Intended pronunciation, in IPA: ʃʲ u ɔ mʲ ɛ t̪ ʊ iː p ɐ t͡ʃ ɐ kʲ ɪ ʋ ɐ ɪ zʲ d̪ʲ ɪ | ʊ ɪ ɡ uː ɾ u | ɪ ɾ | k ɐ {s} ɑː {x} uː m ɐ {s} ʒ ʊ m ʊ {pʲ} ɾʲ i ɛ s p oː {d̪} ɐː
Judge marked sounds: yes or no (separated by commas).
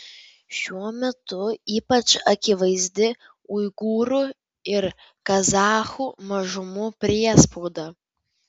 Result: no, yes, no, yes, yes